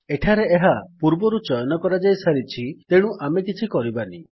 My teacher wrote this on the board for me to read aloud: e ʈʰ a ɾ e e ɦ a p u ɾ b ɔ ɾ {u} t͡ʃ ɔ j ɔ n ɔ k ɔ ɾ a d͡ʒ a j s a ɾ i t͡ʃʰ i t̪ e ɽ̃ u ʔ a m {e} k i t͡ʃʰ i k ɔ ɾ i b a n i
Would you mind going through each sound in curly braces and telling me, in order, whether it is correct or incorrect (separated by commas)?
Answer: correct, correct